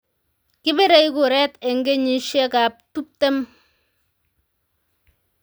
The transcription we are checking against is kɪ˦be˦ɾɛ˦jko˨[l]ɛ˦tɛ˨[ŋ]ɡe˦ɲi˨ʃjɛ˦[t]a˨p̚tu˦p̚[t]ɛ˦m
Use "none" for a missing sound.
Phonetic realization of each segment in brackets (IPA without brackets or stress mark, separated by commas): ɾ, ŋ, k, t